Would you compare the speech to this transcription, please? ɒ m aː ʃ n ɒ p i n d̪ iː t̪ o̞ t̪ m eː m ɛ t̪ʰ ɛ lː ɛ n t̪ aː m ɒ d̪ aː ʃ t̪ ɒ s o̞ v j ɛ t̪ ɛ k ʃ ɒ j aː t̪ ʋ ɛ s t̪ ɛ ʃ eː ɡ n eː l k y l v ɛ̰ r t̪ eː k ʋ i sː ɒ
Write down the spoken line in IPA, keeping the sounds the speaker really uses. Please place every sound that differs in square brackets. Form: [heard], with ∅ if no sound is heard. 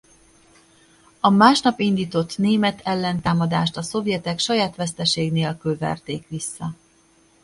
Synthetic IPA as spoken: ɒ m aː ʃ n ɒ p i n d̪ iː t̪ o̞ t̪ [n] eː m ɛ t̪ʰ ɛ lː ɛ n t̪ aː m ɒ d̪ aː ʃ t̪ ɒ s o̞ v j ɛ t̪ ɛ k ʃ ɒ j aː t̪ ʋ ɛ s t̪ ɛ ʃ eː ɡ n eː l k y l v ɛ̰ r t̪ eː k ʋ i sː ɒ